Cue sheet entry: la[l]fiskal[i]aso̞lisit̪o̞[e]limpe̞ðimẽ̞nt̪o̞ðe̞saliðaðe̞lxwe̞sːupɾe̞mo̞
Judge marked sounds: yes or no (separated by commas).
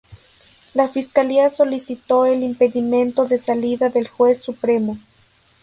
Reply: no, yes, yes